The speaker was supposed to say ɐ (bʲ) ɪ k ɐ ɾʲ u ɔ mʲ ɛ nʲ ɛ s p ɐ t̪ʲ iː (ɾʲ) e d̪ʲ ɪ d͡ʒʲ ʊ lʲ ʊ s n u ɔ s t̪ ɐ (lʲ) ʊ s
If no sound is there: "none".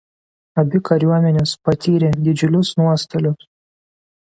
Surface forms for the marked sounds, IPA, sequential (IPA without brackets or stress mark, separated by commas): bʲ, ɾʲ, lʲ